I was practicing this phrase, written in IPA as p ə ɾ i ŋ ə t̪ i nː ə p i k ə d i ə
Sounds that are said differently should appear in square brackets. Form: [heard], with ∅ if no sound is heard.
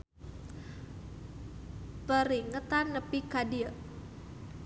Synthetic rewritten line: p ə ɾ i ŋ ə t̪ [a] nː ə p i k [a] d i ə